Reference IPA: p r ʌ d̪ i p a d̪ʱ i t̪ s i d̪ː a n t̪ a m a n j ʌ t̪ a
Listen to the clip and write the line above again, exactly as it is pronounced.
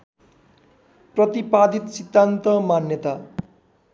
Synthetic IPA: p r ʌ t̪ i p a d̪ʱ i t̪ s i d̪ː a n t̪ ʌ m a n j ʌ t̪ a